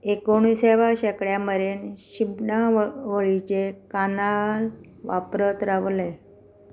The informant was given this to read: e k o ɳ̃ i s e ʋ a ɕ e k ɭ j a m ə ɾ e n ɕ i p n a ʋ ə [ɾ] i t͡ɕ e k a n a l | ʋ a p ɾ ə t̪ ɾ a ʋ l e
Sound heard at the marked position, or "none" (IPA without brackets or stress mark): ɭ